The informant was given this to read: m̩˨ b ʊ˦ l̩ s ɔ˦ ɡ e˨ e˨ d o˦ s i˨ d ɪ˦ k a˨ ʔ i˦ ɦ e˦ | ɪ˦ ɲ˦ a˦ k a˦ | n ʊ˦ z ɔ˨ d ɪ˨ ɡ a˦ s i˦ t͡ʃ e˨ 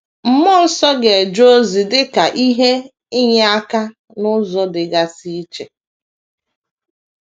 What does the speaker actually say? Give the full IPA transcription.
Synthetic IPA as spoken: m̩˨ m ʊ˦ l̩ s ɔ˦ ɡ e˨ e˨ d͡ʒ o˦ z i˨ d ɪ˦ k a˨ ʔ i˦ ɦ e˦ | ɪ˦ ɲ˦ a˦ k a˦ | n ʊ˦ z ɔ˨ d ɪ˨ ɡ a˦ s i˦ t͡ʃ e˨